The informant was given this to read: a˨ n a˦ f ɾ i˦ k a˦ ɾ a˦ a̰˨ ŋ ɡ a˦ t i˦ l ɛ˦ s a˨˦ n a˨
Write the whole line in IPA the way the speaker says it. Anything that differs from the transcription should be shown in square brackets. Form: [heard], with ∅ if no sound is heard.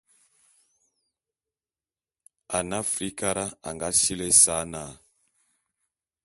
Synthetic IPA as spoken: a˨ n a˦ f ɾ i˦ k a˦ ɾ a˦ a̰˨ ŋ ɡ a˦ [s] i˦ l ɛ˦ s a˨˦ n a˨

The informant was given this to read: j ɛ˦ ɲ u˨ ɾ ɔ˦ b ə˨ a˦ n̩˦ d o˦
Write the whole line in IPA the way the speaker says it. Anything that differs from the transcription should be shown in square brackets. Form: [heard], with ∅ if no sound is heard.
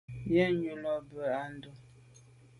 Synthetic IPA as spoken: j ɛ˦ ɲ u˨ [l] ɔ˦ b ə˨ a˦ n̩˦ d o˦

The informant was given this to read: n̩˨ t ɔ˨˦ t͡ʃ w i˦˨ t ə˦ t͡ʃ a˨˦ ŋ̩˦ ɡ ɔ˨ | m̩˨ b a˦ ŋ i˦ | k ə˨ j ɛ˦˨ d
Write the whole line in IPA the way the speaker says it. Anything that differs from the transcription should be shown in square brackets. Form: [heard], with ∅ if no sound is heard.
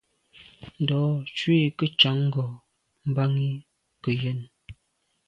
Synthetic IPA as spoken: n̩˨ [d] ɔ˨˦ t͡ʃ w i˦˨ [k] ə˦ t͡ʃ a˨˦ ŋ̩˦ ɡ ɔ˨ | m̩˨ b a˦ ŋ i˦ | k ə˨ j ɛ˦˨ [n]

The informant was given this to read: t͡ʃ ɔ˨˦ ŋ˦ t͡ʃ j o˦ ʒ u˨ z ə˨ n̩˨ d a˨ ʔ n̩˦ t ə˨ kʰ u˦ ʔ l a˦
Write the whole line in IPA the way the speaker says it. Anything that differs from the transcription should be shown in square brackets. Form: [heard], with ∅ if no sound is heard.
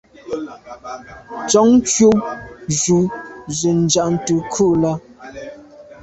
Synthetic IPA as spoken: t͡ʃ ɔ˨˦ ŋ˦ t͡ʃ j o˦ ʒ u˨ z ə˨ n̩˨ [d͡ʒ] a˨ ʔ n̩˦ t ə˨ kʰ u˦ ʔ l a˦

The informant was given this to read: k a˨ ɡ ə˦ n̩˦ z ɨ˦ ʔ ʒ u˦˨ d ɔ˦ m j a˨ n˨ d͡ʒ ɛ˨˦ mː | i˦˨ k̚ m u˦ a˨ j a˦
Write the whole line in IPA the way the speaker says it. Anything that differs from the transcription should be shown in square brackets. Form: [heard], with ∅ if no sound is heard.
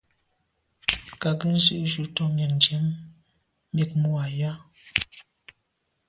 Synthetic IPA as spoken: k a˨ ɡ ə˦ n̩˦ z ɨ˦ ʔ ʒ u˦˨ [t] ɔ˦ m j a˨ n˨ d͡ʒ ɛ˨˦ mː | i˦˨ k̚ m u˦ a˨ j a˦

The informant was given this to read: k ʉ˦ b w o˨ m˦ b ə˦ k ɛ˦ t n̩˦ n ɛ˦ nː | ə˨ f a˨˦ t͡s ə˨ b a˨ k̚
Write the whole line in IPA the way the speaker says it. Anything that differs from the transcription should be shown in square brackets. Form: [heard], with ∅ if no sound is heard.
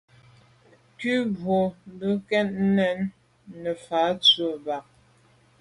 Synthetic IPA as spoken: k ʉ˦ b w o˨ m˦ b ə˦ k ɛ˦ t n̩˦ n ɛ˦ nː | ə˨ f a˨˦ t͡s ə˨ b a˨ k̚

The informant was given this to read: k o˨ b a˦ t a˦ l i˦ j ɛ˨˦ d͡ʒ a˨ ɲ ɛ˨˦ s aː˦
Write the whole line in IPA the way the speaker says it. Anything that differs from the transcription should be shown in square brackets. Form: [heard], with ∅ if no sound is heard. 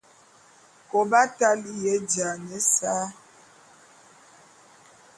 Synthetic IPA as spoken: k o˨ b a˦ t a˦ l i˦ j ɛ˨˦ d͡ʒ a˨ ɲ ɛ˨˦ s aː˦

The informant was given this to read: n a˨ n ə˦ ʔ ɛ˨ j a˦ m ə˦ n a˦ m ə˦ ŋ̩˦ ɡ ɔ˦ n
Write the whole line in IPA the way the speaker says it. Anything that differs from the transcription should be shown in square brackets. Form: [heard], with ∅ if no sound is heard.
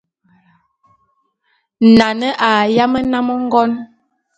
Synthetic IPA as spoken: n a˨ n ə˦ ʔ [a˨] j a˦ m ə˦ n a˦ m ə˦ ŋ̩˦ ɡ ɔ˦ n

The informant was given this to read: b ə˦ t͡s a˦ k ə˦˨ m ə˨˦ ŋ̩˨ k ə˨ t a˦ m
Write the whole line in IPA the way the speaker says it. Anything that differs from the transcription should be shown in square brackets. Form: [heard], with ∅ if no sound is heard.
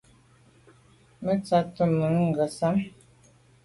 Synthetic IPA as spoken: [m] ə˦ t͡s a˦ [t] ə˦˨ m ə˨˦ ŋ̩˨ [ɡ] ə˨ [s] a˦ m

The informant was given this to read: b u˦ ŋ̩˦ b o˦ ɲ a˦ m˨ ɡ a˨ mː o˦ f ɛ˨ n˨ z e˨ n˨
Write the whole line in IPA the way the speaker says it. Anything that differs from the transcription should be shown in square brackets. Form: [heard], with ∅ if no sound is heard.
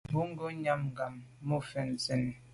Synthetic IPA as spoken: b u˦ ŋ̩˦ [ɡ] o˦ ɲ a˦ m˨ ɡ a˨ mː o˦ f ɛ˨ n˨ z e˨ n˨

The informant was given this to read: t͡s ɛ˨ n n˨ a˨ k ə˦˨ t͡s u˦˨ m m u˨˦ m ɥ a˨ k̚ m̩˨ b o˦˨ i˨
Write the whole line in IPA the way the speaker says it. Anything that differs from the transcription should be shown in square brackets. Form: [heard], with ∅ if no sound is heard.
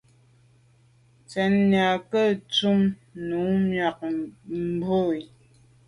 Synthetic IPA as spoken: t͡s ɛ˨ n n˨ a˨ k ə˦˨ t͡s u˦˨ m [n] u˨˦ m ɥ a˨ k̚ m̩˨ b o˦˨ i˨

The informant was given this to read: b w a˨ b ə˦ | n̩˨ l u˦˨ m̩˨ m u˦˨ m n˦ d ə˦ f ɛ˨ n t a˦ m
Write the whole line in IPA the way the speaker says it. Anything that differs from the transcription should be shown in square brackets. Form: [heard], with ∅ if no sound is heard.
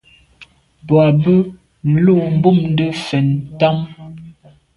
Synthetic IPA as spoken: b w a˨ b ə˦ | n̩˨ l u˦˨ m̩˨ [b] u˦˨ m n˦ d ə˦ f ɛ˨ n t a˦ m

